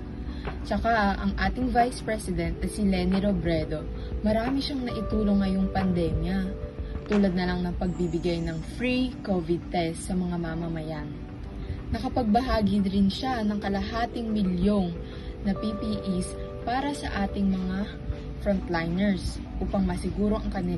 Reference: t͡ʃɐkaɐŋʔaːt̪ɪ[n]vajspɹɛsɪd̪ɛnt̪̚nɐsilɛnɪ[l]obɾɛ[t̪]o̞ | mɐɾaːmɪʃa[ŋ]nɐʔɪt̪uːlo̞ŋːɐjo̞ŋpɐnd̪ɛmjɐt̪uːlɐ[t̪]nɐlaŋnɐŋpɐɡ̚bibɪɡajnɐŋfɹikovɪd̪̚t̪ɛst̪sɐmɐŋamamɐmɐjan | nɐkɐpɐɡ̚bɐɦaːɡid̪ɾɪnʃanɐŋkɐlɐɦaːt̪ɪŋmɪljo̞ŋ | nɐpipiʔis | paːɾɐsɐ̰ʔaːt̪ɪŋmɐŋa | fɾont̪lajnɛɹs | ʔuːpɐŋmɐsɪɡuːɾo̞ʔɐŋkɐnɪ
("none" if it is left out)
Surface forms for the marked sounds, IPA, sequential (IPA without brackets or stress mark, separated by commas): ŋ, ɾ, d̪, ŋ, d̪